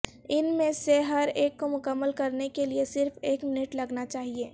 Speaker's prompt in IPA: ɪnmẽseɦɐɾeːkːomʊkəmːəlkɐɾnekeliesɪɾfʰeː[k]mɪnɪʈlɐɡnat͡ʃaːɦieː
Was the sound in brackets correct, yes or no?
yes